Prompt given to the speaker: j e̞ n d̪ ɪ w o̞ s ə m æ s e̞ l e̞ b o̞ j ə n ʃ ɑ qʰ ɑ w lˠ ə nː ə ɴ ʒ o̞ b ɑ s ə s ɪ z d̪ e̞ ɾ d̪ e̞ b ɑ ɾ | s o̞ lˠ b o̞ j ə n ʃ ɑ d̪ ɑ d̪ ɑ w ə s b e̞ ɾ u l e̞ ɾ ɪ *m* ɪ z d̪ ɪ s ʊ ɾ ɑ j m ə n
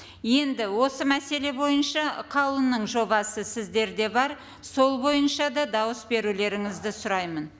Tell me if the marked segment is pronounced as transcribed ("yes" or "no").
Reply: no